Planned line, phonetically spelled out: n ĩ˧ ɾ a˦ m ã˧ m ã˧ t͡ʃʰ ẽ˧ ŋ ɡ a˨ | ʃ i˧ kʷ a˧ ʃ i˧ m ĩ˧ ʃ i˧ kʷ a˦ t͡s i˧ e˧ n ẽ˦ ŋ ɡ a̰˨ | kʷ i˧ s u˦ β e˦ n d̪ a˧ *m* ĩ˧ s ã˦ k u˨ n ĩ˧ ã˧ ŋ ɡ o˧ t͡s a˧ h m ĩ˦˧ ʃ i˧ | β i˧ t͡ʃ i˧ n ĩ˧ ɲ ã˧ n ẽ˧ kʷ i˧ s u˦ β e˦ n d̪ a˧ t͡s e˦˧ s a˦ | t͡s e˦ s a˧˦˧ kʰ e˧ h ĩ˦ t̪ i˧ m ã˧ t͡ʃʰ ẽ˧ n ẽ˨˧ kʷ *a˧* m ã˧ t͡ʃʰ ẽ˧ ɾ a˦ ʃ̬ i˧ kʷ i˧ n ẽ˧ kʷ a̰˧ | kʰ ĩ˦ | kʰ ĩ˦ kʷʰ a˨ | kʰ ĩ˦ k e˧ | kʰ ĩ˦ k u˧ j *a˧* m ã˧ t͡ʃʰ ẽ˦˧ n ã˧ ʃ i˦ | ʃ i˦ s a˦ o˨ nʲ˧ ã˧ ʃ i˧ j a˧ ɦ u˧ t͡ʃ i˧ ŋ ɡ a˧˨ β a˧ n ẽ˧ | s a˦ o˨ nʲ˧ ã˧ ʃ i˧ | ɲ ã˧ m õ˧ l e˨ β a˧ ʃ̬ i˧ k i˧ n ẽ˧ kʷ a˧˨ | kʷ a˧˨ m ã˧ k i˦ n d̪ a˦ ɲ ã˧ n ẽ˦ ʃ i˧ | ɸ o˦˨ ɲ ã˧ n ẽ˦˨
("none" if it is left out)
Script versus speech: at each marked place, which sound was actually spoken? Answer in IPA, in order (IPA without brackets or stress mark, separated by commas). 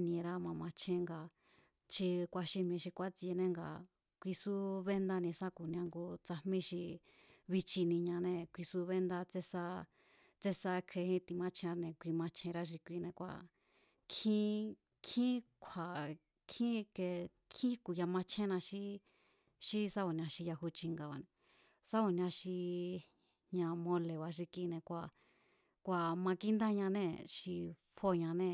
n, i˧, a˧